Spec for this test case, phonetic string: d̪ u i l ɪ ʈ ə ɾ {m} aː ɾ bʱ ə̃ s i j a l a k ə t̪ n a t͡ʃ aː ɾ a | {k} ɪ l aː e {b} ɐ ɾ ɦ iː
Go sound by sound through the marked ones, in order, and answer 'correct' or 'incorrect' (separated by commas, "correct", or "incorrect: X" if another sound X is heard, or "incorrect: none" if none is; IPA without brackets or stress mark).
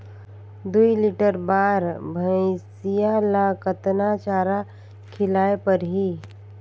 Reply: incorrect: b, incorrect: kʰ, incorrect: p